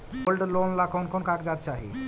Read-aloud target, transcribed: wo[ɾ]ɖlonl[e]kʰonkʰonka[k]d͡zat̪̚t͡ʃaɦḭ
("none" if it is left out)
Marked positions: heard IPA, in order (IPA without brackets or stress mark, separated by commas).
l, a, k